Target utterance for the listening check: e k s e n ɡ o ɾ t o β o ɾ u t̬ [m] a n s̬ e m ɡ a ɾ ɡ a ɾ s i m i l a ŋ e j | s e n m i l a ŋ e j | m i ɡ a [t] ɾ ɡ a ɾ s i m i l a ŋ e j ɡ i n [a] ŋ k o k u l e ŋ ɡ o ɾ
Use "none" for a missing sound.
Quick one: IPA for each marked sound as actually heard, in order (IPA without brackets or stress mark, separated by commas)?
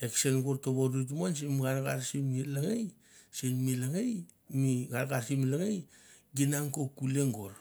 m, none, a